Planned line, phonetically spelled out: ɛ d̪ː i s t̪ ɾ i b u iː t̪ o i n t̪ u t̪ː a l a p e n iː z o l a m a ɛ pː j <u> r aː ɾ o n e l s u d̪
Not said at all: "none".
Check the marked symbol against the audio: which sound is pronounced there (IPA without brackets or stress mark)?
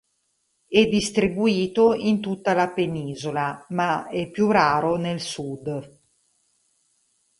u